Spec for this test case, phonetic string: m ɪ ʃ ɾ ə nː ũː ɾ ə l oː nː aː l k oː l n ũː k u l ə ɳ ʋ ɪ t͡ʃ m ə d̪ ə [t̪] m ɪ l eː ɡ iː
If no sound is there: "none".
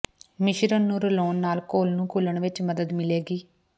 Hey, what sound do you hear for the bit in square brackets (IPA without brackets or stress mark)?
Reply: d̪